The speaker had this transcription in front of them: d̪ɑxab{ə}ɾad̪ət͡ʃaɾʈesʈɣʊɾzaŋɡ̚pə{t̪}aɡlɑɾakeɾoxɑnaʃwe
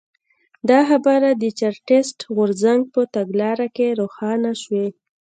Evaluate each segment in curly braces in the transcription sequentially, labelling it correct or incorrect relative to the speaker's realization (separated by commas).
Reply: incorrect, correct